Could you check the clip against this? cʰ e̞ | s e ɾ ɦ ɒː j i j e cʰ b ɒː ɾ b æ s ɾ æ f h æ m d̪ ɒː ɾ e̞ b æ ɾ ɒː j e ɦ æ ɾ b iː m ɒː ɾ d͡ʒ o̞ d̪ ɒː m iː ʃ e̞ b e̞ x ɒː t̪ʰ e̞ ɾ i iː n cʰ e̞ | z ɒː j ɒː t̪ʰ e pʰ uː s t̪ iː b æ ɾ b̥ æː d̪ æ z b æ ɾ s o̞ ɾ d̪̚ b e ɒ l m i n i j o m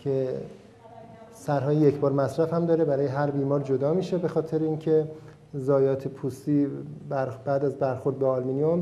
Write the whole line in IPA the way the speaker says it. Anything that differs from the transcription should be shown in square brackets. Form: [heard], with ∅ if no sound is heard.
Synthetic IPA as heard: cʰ e̞ | s [æ] ɾ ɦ ɒː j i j e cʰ b ɒː ɾ [m] æ s ɾ æ f h æ m d̪ ɒː ɾ e̞ b æ ɾ ɒː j e ɦ æ ɾ b iː m ɒː ɾ d͡ʒ o̞ d̪ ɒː m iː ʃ e̞ b e̞ x ɒː t̪ʰ e̞ ɾ [e] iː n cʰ e̞ | z ɒː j ɒː t̪ʰ e pʰ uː s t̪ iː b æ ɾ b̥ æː d̪ æ z b æ ɾ [x] o̞ ɾ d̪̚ b e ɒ l m i n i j o m